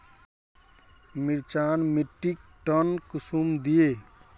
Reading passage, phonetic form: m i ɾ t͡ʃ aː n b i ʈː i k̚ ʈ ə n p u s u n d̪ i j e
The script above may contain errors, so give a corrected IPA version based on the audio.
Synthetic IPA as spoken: m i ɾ t͡ʃ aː n m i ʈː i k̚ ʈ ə n k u s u m d̪ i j e

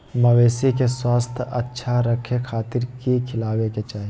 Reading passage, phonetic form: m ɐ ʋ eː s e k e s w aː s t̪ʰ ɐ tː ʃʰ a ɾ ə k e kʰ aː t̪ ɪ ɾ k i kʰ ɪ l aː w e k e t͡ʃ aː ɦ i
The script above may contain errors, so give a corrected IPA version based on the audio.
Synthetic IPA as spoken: m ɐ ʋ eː s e k e s w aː s t̪ʰ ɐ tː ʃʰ a ɾ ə kʰ e kʰ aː t̪ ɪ ɾ k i kʰ ɪ l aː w e k e t͡ʃ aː ɦ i

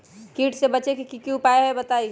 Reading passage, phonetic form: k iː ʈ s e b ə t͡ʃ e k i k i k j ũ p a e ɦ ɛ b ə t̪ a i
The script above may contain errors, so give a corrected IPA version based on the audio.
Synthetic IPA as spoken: k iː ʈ s e b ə t͡ʃ e k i k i k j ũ p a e ɦ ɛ b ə t̪ a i

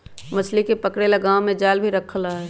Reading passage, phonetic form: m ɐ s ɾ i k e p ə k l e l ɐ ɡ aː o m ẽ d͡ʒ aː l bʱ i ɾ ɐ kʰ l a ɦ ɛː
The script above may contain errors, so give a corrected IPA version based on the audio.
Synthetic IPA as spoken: m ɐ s l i k e p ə k ɽ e l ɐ ɡ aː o m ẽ d͡ʒ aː l bʱ i ɾ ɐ kʰ l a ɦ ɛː

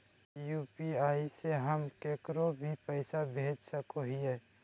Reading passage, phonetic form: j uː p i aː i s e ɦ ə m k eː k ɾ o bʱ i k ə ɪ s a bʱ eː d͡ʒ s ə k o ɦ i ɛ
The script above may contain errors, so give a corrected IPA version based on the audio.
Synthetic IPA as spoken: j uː p i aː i s e ɦ ə m k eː k ɾ o bʱ i p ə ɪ s a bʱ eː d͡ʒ s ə k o ɦ i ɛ

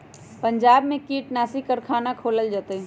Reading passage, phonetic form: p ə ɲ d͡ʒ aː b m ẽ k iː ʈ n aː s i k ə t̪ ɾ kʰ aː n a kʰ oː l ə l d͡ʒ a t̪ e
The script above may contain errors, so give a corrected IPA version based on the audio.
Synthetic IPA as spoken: p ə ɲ d͡ʒ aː b m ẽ k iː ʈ n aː s i k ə ɾ kʰ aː n a kʰ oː l ə l d͡ʒ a t̪ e

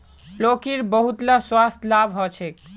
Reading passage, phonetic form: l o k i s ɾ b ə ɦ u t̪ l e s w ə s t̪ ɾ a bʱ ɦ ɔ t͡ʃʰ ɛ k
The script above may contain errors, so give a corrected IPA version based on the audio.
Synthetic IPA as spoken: l o k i ɾ b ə ɦ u t̪ l a s w a s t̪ l a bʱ ɦ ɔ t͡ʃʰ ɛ k

